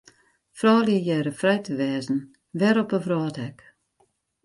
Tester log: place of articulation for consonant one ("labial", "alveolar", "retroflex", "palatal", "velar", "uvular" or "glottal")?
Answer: labial